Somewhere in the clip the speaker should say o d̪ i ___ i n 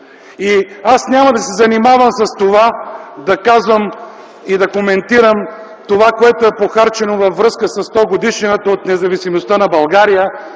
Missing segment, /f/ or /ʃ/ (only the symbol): ʃ